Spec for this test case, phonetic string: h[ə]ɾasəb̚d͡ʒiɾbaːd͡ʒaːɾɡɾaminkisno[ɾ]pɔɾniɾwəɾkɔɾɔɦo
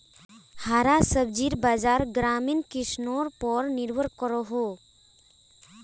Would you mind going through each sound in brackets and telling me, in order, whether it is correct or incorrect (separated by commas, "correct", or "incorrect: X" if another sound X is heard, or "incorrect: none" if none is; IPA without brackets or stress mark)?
incorrect: a, correct